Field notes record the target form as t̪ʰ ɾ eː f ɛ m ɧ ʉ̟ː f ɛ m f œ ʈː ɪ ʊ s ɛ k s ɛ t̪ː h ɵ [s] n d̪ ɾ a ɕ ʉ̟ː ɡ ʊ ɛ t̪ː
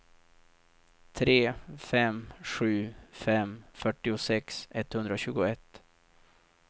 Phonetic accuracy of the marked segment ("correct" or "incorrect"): incorrect